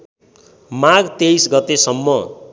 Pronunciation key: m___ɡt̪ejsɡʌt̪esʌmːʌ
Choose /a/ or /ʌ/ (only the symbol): a